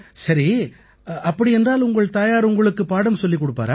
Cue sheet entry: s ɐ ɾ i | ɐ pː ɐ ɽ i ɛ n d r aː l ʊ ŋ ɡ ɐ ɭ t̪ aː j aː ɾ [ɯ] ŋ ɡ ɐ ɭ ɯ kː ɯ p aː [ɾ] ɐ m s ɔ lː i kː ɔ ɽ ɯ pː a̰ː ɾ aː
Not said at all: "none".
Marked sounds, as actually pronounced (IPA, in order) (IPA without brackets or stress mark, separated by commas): ʊ, ɽ